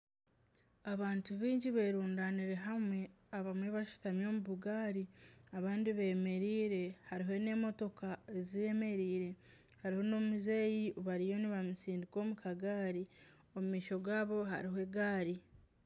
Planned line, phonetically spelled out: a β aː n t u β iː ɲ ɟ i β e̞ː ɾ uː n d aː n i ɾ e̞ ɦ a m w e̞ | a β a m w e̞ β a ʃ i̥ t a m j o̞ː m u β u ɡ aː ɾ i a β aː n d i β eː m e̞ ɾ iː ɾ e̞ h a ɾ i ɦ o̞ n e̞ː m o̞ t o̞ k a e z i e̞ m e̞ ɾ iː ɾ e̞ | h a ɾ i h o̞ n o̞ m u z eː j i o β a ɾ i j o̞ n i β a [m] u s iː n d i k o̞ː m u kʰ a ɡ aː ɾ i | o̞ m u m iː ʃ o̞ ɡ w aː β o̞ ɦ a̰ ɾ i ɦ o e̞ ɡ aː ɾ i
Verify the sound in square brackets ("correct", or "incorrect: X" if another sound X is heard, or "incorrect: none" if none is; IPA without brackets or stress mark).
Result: correct